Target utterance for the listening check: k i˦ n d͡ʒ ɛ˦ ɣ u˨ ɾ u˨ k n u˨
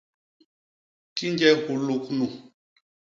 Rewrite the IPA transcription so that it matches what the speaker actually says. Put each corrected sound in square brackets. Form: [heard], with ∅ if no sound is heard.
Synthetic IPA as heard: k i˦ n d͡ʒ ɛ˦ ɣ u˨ [l] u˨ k n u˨